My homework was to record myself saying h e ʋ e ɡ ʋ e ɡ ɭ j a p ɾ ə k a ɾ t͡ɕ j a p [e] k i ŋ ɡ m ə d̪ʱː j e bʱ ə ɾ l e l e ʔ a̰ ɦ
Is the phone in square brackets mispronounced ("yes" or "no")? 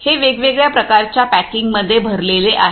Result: yes